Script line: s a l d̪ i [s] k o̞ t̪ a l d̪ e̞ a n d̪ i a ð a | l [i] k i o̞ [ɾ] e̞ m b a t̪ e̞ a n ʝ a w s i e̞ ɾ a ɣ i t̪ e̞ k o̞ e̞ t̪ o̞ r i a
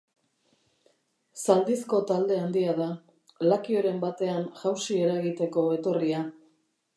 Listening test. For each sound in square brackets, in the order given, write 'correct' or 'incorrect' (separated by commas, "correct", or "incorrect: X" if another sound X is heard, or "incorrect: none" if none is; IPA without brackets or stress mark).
correct, incorrect: a, correct